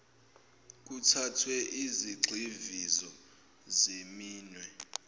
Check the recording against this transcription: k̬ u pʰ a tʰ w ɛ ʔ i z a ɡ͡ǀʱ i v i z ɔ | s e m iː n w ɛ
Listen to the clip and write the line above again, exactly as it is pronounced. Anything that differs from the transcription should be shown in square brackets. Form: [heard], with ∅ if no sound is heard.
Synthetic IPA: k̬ u [tʰ] a tʰ w ɛ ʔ i z [i] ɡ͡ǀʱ i v i z ɔ | [z] e m iː n w ɛ